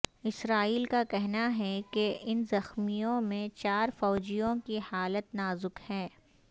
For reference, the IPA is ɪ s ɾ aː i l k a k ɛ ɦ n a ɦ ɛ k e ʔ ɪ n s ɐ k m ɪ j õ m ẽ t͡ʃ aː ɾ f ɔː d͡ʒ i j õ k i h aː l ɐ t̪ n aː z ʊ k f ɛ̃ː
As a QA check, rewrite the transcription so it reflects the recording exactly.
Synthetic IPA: ɪ s ɾ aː iː l k a k ɛ ɦ n a ɦ ɛ k e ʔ ɪ n z ɐ x m i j õ m ẽ t͡ʃ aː ɾ f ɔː d͡ʒ i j õ k i h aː l ə t̪ n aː z ʊ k h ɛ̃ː